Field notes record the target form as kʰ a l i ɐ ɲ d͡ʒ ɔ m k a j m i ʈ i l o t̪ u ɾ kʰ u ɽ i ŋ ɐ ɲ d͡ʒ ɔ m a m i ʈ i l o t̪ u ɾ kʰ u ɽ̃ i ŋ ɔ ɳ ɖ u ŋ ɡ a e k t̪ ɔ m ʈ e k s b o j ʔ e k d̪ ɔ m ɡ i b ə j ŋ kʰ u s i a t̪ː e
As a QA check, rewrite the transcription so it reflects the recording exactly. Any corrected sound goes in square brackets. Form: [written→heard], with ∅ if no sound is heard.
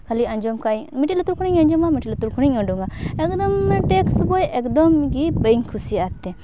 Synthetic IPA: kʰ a l i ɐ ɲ d͡ʒ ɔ m k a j m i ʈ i l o t̪ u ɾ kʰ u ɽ i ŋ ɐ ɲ d͡ʒ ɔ m a m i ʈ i l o t̪ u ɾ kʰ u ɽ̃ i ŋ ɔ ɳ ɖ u ŋ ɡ a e k [t̪→d̪] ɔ m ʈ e k s b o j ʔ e k d̪ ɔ m ɡ i b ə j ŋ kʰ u s i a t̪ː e